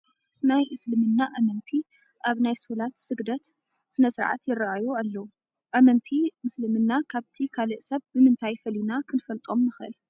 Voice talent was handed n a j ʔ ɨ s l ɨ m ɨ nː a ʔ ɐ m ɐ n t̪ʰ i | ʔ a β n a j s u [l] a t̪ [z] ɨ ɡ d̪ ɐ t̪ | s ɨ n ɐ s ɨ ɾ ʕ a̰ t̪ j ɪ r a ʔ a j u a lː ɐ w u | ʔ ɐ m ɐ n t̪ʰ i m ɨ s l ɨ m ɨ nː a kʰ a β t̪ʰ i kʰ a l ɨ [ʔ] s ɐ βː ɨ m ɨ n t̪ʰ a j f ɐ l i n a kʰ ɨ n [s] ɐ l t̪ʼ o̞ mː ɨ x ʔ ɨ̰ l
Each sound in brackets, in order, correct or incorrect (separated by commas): correct, incorrect, correct, incorrect